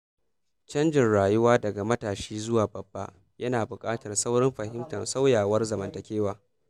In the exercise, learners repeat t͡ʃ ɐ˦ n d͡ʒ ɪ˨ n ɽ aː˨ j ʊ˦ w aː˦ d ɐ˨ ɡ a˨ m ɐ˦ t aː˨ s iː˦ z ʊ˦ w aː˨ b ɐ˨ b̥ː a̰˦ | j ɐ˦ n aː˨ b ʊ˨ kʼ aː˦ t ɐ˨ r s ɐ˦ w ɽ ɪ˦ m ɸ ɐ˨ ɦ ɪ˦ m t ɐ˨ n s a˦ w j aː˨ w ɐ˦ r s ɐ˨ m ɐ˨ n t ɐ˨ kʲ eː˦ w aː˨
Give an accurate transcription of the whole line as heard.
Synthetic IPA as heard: t͡ʃ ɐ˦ n d͡ʒ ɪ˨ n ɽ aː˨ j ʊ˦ w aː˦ d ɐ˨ ɡ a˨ m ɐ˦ t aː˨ ʃ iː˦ z ʊ˦ w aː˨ b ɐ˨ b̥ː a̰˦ | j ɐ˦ n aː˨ b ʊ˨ kʼ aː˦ t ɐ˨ r s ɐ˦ w ɽ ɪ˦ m ɸ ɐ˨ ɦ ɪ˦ m t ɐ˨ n s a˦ w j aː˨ w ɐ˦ r z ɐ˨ m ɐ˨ n t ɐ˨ kʲ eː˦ w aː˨

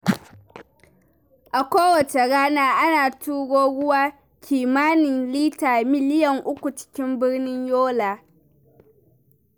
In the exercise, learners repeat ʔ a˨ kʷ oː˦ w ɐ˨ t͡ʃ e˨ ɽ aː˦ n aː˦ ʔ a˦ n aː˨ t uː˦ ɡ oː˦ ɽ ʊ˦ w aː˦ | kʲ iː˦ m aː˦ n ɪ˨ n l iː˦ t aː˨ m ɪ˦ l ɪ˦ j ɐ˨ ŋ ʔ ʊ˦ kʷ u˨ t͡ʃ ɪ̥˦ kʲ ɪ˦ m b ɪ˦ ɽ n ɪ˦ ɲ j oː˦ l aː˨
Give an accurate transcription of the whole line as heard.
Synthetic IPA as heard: ʔ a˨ kʷ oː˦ w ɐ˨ t͡ʃ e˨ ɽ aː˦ n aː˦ ʔ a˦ n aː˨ t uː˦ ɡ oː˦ ɽ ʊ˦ w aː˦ | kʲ iː˨ m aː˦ n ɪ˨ n l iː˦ t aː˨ m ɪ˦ l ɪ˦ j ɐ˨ ŋ ʔ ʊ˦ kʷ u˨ t͡ʃ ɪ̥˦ kʲ ɪ˦ m b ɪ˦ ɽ n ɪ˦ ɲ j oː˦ l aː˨

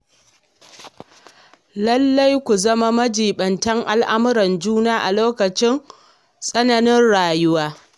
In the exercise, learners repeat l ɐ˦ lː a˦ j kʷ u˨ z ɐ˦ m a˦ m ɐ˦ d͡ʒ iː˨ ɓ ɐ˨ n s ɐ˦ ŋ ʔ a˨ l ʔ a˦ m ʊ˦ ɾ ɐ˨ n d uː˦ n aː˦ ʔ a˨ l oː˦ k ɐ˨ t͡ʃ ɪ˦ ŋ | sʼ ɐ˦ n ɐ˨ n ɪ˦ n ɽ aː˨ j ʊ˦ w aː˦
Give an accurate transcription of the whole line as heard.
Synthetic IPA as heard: l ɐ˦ lː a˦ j kʷ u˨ z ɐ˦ m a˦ m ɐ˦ d͡ʒ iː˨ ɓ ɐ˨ n t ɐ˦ ŋ ʔ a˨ l ʔ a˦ m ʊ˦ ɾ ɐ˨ n d͡ʒ uː˦ n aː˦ ʔ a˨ l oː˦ k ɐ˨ t͡ʃ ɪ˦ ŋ | sʼ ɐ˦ n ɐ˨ n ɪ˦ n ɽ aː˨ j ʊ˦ w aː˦

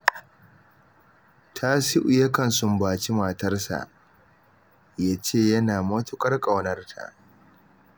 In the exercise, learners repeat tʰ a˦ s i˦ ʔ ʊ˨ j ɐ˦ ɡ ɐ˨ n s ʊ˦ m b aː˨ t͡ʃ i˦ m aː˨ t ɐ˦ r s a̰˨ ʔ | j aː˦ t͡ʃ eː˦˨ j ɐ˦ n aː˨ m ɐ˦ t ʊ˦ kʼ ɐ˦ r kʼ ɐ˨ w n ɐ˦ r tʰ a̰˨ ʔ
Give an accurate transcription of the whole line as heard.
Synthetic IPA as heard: tʰ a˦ s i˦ ʔ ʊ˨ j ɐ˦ k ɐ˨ n s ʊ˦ m b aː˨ t͡ʃ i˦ m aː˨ t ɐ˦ r s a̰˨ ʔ | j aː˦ t͡ʃ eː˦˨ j ɐ˦ n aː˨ m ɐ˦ t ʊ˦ kʼ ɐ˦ r kʼ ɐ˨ w n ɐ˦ r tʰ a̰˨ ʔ

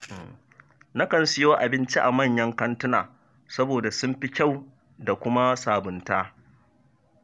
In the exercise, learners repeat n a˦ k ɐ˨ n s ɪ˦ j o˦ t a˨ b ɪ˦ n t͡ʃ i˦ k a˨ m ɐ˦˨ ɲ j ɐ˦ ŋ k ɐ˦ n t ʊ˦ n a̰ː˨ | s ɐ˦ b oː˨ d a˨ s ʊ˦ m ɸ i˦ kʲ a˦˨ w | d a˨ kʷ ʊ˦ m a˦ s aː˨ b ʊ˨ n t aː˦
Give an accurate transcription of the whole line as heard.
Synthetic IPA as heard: n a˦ k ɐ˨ n s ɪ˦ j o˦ ʔ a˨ b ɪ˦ n t͡ʃ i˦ ʔ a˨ m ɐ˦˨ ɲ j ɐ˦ ŋ k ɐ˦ n t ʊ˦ n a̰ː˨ | s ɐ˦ b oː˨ d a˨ s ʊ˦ m ɸ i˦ kʲ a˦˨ w | d a˨ kʷ ʊ˦ m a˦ s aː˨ b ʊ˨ n t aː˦

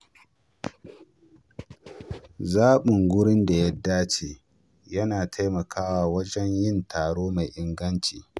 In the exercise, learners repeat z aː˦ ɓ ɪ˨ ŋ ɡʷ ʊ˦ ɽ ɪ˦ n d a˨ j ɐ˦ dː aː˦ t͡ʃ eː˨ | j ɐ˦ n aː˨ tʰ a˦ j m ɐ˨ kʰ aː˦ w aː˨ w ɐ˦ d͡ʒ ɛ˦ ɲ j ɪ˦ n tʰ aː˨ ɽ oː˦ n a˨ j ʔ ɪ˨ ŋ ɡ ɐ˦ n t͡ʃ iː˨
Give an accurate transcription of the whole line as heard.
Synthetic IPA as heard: z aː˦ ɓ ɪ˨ ŋ ɡʷ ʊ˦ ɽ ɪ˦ n d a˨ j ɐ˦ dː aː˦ t͡ʃ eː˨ | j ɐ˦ n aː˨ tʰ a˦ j m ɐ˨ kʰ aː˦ w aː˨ w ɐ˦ d͡ʒ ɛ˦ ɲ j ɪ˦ n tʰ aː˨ ɽ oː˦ m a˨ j ʔ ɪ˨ ŋ ɡ ɐ˦ n t͡ʃ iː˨

